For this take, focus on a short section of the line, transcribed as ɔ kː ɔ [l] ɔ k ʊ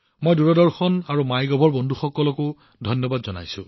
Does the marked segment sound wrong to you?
no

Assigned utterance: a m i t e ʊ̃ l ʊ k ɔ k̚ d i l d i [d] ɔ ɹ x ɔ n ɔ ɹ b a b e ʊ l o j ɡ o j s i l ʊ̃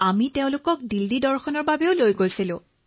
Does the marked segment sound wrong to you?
no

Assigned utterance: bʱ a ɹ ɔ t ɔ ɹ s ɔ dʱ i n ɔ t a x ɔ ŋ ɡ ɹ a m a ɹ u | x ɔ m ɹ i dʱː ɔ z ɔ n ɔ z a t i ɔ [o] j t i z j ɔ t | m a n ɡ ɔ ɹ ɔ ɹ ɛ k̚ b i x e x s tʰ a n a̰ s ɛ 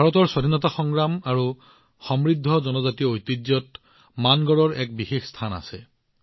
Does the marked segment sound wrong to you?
no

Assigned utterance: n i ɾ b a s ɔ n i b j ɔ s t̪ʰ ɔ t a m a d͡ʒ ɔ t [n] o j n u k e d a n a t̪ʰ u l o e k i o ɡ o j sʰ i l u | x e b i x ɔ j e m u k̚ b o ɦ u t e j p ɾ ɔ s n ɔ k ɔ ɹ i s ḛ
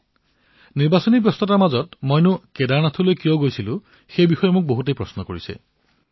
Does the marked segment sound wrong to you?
yes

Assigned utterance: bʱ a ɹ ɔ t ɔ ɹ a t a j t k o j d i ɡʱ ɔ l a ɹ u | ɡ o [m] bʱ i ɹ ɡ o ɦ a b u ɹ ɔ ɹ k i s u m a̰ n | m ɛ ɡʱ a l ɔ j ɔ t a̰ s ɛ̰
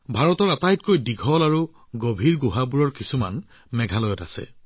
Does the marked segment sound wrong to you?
yes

